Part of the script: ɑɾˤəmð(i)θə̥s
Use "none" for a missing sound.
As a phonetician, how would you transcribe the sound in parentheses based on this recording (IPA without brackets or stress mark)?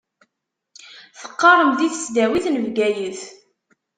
i